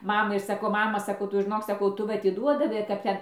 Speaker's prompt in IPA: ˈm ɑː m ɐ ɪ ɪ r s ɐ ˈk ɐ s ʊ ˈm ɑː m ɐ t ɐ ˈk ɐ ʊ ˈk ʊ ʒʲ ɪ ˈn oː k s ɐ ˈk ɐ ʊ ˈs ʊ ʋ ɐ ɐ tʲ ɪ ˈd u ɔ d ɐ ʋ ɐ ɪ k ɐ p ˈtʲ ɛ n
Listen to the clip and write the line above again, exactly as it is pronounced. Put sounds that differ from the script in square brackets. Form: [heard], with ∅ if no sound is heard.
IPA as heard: ˈm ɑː m ɐ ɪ ɪ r s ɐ ˈk ɐ [∅] ʊ ˈm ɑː m ɐ [s] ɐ ˈk ɐ ʊ [ˈt] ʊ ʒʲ ɪ ˈn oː k s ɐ ˈk ɐ ʊ [ˈt] ʊ ʋ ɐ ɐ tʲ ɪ ˈd u ɔ d ɐ ʋ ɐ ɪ k ɐ p ˈtʲ ɛ n